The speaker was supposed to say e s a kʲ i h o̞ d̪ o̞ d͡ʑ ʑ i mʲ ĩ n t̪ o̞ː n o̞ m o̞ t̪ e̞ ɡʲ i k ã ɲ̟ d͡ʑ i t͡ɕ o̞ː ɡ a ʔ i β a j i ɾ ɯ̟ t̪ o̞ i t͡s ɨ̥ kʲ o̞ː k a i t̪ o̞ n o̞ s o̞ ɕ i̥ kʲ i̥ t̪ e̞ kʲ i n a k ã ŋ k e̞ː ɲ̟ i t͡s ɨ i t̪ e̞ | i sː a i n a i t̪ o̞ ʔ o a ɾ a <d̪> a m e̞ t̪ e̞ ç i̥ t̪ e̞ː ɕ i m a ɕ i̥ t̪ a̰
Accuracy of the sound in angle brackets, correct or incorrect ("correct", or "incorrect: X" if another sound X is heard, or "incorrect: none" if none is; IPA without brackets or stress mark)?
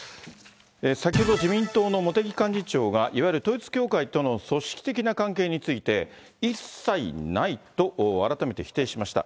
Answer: incorrect: t̪